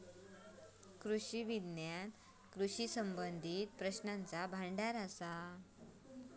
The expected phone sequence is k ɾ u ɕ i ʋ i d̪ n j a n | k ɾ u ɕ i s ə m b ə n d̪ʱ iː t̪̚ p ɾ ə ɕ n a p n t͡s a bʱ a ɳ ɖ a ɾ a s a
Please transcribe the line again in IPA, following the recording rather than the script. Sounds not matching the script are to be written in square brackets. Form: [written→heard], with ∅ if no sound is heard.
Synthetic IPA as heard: k ɾ u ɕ i ʋ i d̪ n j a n | k ɾ u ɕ i s ə m b ə n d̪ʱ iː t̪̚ p ɾ ə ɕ n a [p→∅] n t͡s a bʱ a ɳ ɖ a ɾ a s a